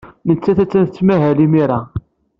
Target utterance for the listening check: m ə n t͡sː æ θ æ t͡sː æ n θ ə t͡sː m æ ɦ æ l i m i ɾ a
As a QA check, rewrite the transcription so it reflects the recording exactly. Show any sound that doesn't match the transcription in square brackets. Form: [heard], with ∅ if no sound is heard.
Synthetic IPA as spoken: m ə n t͡sː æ θ æ t͡sː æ n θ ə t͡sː m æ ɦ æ l i m i ɾ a